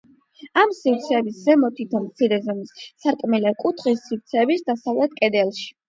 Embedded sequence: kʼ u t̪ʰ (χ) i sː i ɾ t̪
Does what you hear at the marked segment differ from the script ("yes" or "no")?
no